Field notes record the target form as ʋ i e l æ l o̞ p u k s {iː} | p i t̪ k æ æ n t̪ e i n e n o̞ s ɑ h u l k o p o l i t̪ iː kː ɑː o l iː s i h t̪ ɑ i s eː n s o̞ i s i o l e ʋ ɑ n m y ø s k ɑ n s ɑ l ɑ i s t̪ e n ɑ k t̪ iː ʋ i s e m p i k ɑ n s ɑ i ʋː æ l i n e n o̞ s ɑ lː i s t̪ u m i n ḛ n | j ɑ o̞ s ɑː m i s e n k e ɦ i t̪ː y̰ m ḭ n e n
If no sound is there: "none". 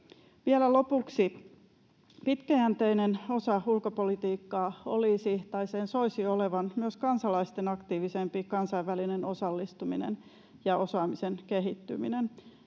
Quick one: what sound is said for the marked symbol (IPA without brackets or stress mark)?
i